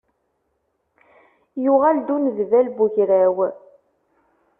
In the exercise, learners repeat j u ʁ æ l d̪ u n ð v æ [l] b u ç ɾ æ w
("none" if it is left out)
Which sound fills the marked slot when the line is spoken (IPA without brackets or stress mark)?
l